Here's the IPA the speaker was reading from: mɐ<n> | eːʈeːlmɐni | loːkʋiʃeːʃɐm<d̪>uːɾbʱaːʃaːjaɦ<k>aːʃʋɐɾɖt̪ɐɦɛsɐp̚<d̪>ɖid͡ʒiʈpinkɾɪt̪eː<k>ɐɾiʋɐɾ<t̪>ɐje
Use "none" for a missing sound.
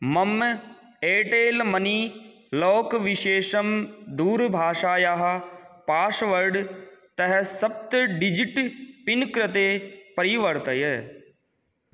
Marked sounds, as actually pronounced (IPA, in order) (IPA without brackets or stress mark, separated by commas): m, d̪, p, t̪, p, t̪